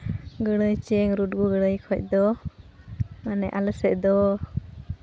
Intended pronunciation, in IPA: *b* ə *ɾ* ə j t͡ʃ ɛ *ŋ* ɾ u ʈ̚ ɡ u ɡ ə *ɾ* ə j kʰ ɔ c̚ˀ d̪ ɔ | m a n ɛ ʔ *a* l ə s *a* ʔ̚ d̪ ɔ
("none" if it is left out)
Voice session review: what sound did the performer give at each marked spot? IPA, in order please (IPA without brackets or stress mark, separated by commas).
ɡ, ɽ, ŋ, ɽ, a, ɛ